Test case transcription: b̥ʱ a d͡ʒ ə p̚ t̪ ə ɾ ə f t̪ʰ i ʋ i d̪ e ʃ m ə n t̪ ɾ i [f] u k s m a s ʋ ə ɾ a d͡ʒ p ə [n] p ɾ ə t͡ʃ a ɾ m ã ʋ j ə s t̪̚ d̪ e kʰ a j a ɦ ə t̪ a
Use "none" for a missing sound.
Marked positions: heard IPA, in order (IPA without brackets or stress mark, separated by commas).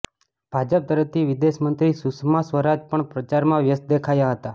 s, ɳ